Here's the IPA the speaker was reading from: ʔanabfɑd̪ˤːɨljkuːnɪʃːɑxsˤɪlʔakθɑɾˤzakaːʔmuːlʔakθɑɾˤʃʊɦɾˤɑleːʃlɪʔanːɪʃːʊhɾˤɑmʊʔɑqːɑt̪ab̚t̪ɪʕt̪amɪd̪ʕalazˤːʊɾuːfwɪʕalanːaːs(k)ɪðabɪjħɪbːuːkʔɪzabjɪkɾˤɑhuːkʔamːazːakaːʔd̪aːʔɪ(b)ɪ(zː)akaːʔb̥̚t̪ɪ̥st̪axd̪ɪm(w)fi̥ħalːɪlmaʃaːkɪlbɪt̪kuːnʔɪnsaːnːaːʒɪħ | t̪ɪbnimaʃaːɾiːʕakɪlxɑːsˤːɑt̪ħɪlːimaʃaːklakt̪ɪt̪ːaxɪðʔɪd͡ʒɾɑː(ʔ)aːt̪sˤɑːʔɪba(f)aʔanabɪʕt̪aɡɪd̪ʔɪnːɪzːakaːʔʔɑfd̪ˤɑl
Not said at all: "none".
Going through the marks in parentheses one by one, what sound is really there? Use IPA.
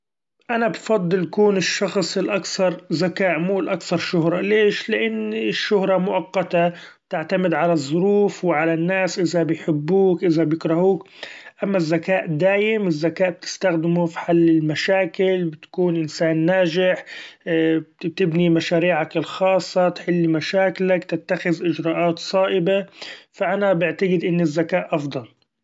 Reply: ʔ, m, zː, u, ʔ, f

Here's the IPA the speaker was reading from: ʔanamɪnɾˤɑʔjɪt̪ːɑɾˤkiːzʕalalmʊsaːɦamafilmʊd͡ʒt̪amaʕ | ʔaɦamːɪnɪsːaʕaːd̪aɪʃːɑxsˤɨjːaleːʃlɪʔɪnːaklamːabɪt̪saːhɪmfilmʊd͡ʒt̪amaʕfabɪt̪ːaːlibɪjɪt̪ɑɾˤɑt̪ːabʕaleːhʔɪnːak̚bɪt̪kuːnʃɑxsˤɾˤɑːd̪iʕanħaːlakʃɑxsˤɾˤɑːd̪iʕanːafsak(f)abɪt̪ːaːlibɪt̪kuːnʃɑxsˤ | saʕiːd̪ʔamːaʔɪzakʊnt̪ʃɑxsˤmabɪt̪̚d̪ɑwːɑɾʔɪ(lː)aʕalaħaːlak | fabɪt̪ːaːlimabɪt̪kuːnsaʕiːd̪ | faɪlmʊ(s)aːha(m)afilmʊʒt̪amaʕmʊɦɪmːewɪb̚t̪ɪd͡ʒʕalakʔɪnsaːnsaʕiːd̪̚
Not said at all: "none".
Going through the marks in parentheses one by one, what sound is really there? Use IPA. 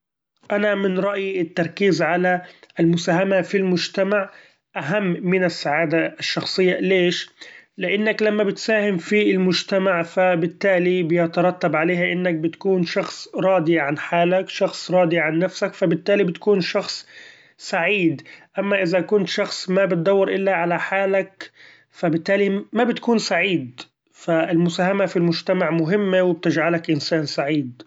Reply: f, lː, s, m

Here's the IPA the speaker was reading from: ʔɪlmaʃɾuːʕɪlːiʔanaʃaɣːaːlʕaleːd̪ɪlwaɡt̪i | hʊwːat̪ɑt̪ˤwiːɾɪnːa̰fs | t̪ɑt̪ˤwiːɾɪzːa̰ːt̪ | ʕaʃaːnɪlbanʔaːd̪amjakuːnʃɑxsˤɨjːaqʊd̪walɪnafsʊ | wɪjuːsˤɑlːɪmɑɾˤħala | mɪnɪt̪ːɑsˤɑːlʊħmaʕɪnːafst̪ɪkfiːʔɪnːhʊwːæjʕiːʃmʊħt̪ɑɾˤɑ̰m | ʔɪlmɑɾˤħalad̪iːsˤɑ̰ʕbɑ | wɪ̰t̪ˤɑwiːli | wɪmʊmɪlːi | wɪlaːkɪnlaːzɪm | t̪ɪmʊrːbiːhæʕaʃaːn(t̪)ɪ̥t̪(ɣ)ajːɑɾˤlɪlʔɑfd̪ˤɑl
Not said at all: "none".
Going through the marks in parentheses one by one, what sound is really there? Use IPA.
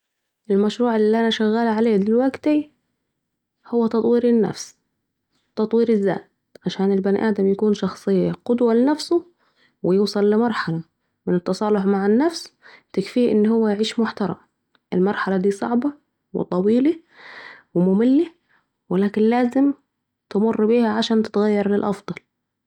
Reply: t̪, ɣ

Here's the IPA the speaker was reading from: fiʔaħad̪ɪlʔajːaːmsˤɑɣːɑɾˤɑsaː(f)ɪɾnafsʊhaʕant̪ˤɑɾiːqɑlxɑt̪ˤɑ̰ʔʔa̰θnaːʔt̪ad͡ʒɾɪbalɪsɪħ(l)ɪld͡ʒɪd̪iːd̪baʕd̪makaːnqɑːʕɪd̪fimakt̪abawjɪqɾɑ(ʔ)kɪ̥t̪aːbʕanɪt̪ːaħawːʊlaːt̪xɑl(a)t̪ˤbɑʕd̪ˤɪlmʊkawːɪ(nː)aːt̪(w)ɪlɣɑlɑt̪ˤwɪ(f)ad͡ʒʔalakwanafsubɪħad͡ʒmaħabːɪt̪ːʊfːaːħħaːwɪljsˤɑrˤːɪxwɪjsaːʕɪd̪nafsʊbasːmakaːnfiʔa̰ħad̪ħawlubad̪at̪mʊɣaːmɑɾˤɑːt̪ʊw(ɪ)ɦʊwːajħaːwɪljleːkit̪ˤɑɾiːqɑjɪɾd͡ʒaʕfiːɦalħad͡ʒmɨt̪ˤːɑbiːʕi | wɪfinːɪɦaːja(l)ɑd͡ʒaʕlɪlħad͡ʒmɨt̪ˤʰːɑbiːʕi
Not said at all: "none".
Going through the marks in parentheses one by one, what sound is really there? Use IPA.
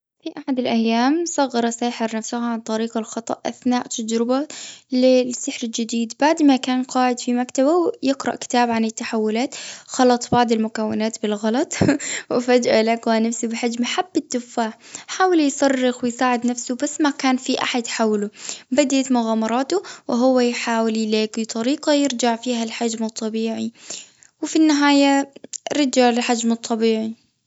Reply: ħ, ɾ, ʔ, ɑ, n, b, f, ɪ, ɾ

